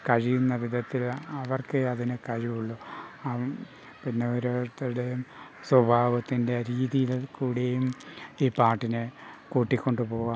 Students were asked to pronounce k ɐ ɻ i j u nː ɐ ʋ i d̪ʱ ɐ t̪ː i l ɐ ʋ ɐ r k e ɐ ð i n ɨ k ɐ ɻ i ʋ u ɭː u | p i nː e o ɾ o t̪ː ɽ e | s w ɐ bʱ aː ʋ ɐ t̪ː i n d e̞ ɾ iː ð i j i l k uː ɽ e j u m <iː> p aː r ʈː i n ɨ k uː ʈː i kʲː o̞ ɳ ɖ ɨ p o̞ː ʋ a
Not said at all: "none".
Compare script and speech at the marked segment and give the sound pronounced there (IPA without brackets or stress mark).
iː